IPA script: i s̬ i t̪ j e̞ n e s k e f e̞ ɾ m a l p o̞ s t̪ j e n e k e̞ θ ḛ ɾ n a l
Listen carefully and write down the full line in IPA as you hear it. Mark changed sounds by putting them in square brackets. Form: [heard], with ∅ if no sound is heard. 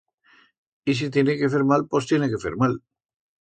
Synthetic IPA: i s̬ i t̪ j e̞ n e [∅] k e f e̞ ɾ m a l p o̞ s t̪ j e n e k e̞ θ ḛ ɾ [m] a l

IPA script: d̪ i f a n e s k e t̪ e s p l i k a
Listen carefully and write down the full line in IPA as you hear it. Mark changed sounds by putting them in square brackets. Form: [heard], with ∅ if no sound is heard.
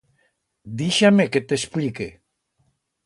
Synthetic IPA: d̪ i [ʃ] a [m] e [∅] k e t̪ e s p l i k [e]

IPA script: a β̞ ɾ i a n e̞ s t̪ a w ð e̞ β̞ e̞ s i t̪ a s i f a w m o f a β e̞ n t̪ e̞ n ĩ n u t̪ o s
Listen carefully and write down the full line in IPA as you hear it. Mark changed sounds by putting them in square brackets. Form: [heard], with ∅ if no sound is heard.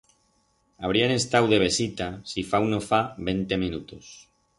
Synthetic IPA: a β̞ ɾ i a n e̞ s t̪ a w ð e̞ β̞ e̞ s i t̪ a s i f a w [n] o f a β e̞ n t̪ e̞ [m] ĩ n u t̪ o s

